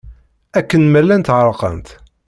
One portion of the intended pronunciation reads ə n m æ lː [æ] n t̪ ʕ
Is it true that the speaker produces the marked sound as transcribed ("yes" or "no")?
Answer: yes